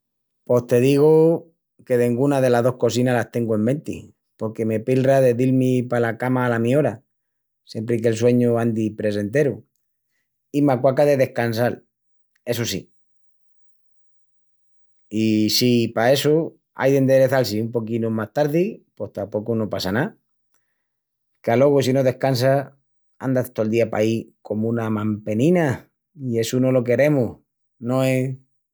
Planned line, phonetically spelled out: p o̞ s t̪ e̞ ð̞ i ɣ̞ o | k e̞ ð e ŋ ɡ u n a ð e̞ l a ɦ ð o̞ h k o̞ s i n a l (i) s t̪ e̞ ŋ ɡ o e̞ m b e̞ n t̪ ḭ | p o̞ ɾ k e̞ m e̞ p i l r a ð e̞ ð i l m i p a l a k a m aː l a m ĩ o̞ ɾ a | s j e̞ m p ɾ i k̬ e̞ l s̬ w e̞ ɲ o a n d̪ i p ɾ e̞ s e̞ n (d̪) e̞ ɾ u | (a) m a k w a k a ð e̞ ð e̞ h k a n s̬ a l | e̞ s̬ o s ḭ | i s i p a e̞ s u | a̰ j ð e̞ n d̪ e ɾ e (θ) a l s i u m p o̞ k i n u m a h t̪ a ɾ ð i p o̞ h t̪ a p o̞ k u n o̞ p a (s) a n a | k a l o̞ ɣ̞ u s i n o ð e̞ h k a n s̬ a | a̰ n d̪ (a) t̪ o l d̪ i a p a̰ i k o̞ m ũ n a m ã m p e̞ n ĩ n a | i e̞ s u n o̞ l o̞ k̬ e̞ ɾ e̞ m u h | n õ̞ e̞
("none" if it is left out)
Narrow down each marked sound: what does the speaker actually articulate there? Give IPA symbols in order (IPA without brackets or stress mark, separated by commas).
a, t̪, i, θ, s, a